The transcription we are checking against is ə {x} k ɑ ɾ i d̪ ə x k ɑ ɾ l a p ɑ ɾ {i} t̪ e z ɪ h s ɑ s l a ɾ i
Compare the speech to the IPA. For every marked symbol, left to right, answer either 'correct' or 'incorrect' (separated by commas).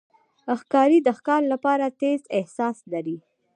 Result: correct, incorrect